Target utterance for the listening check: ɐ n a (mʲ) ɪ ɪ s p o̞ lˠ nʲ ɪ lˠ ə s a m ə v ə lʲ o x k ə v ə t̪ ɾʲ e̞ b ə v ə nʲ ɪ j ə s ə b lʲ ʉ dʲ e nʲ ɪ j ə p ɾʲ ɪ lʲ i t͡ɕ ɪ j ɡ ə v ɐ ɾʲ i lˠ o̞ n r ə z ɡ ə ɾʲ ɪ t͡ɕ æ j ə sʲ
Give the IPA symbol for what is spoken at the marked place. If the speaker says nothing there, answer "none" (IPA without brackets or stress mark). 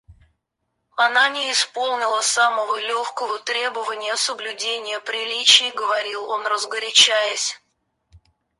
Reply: nʲ